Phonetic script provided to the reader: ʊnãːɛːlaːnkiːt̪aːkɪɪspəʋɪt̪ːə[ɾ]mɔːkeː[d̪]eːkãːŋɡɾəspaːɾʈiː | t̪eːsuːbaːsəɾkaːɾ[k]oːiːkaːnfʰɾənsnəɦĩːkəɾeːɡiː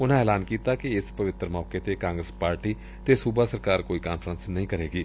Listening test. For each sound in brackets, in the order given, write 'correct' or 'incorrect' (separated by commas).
correct, incorrect, correct